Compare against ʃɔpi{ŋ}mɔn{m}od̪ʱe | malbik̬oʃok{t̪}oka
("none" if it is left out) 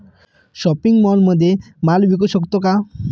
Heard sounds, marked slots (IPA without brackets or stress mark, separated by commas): ŋ, m, t̪